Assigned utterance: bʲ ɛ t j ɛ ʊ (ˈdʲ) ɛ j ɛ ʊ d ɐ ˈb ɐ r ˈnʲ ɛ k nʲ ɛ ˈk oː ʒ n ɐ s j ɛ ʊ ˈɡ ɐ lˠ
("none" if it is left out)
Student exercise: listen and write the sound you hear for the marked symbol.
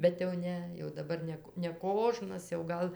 nʲ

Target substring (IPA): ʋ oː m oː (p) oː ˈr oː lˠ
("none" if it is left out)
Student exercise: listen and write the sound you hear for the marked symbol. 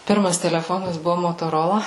t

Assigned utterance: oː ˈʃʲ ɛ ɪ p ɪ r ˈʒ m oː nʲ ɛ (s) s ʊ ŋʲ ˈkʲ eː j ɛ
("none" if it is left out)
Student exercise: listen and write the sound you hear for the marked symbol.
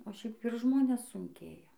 s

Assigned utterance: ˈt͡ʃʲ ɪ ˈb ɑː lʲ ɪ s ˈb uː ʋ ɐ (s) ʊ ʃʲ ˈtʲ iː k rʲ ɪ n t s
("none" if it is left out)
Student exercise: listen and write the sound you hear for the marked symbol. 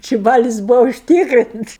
none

